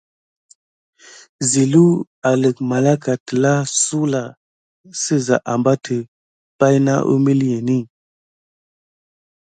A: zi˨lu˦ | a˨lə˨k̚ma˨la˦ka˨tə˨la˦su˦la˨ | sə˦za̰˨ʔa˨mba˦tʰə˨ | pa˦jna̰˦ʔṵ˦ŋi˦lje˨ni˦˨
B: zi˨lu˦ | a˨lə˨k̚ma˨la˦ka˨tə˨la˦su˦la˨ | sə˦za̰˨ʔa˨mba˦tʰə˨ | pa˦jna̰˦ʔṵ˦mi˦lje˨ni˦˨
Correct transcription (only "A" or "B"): B